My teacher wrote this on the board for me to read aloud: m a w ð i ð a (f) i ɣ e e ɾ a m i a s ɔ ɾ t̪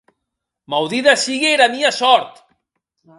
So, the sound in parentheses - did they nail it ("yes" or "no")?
no